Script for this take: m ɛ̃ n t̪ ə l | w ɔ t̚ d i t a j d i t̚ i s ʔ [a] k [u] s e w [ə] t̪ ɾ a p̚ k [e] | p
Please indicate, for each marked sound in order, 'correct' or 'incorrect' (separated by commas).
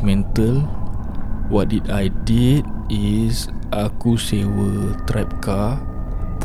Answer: correct, correct, correct, incorrect